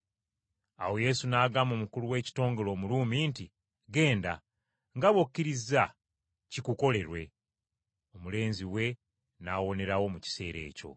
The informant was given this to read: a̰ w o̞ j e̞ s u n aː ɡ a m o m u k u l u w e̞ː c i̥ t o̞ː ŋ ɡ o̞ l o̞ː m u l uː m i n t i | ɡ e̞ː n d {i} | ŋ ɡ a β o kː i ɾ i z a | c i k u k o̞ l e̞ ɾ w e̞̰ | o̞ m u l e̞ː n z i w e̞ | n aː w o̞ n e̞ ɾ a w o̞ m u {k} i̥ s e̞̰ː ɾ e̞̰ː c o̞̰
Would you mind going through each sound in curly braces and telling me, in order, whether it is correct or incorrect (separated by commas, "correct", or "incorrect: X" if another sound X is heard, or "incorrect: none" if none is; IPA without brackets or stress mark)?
incorrect: a, incorrect: c